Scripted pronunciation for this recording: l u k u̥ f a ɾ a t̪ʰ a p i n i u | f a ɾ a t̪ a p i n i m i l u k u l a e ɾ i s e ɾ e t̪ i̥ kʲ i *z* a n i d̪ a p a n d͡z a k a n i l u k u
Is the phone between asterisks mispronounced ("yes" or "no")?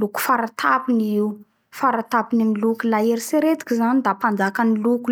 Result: no